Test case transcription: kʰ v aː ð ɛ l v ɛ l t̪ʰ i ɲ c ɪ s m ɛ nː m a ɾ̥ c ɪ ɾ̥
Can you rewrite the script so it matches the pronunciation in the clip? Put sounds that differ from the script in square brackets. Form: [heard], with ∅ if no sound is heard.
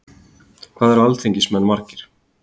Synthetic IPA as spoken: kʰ v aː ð ɛ [ɾ] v [a] l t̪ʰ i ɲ c ɪ s m ɛ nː m a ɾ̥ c ɪ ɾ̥